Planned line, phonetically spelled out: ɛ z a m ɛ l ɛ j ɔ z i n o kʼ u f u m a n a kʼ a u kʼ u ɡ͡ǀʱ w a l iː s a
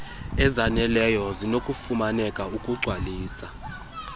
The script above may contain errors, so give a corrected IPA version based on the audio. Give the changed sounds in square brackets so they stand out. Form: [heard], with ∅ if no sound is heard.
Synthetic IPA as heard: ɛ z a [n] ɛ l ɛ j ɔ z i n o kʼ u f u m a n [ɛ] kʼ a u kʼ u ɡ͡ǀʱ w a l iː s a